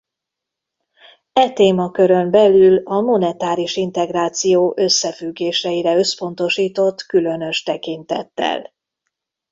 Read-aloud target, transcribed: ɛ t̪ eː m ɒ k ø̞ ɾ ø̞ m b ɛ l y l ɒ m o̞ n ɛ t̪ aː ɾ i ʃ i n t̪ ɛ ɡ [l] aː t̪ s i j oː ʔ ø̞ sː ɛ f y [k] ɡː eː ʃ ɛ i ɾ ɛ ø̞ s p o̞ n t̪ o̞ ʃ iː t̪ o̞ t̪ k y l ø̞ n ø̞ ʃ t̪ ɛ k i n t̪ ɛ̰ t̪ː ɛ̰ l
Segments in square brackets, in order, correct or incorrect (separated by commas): incorrect, incorrect